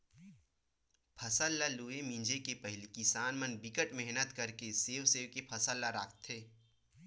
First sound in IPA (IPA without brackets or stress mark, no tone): pʰ